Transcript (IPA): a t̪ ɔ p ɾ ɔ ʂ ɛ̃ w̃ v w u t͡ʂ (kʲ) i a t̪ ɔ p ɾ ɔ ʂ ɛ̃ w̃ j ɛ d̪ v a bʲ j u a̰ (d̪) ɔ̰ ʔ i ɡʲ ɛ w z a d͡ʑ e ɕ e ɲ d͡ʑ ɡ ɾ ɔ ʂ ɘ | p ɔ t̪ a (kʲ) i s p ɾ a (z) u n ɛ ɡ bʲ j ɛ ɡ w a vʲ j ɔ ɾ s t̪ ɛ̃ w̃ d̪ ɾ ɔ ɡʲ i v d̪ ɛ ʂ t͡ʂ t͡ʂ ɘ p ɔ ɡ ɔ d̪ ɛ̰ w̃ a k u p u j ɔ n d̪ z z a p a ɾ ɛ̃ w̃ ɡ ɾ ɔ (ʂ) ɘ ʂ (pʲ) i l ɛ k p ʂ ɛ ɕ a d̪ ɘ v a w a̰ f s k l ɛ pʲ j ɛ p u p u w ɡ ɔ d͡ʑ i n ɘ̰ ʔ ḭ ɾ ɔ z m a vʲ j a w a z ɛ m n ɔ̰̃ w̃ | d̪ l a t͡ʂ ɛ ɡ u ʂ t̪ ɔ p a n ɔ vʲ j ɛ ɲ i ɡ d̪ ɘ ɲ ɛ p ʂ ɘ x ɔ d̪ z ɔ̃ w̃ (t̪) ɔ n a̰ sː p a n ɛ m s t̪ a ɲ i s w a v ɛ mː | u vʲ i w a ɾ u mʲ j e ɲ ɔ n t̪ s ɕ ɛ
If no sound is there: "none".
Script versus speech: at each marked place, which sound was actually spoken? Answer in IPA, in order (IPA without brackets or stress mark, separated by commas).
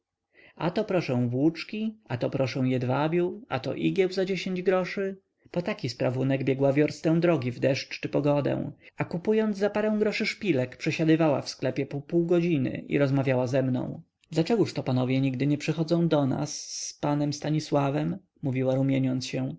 kʲ, t̪, kʲ, v, ʂ, pʲ, d̪